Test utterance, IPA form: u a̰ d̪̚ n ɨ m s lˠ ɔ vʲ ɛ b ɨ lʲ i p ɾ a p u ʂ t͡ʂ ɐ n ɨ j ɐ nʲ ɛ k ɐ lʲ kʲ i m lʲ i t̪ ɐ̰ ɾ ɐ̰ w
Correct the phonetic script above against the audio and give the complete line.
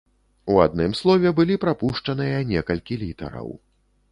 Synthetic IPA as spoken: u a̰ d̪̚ n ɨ m s lˠ ɔ vʲ ɛ b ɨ lʲ i p ɾ a p u ʂ t͡ʂ ɐ n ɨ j ɐ nʲ ɛ k ɐ lʲ kʲ i lʲ i t̪ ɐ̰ ɾ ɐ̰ w

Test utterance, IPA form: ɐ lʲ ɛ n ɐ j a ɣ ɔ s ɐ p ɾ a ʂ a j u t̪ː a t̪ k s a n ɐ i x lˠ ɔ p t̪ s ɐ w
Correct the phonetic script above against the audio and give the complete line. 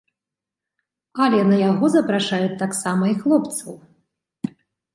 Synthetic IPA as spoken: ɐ lʲ ɛ n ɐ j a ɣ ɔ z ɐ p ɾ a ʂ a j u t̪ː a k s a m ɐ i x lˠ ɔ p t̪ s ɐ w

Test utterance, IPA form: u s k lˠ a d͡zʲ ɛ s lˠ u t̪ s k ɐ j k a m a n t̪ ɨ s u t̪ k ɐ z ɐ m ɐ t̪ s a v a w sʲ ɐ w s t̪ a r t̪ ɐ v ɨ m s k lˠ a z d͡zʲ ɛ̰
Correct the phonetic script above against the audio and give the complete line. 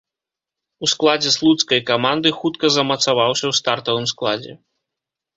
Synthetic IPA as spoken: u s k lˠ a d͡zʲ ɛ s lˠ u t̪ s k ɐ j k a m a n d̪ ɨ x u t̪ k ɐ z ɐ m ɐ t̪ s a v a w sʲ ɐ w s t̪ a r t̪ ɐ v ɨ m s k lˠ a d͡zʲ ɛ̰

